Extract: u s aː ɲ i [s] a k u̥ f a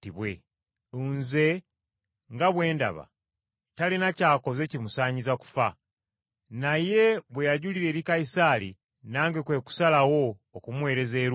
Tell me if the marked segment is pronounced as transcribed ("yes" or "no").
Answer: no